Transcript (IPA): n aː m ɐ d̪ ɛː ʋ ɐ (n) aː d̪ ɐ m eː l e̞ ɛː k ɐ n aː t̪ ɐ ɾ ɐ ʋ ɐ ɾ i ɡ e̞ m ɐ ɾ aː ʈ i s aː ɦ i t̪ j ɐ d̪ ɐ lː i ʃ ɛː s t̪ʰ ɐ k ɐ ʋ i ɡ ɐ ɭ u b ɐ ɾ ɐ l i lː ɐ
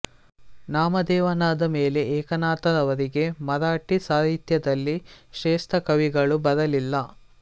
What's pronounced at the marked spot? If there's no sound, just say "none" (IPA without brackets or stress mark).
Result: n